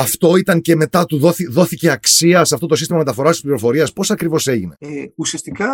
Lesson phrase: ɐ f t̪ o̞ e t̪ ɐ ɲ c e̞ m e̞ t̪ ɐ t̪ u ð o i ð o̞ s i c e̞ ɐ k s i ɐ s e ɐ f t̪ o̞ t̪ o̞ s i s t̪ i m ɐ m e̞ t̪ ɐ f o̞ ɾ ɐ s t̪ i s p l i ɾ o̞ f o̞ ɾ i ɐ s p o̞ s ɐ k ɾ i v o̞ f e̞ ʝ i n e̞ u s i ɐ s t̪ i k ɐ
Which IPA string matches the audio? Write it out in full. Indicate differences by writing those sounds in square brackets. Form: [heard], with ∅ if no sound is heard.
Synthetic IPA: ɐ f t̪ o̞ [i] t̪ ɐ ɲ c e̞ m e̞ t̪ ɐ t̪ u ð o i ð o̞ [θ] i c e̞ ɐ k s i ɐ s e ɐ f t̪ o̞ t̪ o̞ s i s t̪ i m ɐ m e̞ t̪ ɐ f o̞ ɾ ɐ s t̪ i s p l i ɾ o̞ f o̞ ɾ i ɐ s p o̞ s ɐ k ɾ i v o̞ [s] e̞ ʝ i n e̞ u s i ɐ s t̪ i k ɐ